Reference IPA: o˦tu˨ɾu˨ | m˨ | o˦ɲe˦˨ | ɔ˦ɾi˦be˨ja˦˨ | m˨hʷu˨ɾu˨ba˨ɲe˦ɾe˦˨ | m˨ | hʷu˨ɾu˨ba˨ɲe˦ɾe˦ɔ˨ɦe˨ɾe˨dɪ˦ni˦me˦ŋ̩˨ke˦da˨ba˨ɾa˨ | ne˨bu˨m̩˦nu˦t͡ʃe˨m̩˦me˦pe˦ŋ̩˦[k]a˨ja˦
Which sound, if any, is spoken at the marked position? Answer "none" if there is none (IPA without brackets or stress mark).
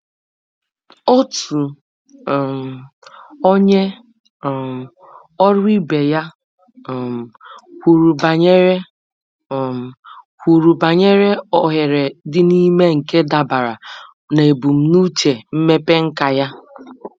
k